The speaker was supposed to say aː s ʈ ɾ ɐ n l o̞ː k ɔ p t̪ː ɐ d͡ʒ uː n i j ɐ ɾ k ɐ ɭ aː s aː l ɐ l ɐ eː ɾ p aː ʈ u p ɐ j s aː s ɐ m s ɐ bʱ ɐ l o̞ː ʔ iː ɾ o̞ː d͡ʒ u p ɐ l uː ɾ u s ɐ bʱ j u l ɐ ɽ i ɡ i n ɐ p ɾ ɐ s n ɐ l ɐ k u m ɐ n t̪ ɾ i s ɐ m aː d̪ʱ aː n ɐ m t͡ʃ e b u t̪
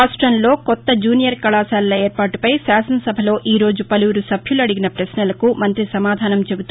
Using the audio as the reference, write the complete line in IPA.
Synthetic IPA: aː s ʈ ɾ ɐ n l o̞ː k ɔ t̪ː ɐ d͡ʒ uː n i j ɐ ɾ k ɐ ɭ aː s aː l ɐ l ɐ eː ɾ p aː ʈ u p ɐ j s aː s ɐ n s ɐ bʱ ɐ l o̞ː ʔ iː ɾ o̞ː d͡ʒ u p ɐ l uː ɾ u s ɐ bʱ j u l ɐ ɽ i ɡ i n ɐ p ɾ ɐ s n ɐ l ɐ k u m ɐ n t̪ ɾ i s ɐ m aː d̪ʱ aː n ɐ m t͡ʃ e b u t̪